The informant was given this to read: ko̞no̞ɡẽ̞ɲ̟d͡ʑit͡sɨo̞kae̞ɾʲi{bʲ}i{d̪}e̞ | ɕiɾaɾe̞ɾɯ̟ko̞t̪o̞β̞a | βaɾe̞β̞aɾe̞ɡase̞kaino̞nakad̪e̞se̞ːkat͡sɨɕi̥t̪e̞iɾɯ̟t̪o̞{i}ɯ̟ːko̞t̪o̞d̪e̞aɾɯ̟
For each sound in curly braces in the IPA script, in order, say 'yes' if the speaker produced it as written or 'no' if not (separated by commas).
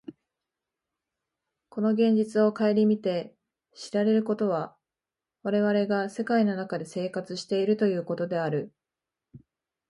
no, no, no